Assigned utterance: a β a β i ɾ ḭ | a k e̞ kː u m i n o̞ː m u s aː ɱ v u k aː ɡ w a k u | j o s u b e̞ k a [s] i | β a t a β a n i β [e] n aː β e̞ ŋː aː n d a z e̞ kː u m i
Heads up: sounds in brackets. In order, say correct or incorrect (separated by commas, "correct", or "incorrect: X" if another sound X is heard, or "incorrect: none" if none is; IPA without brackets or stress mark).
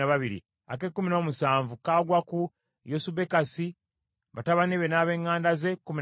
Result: correct, correct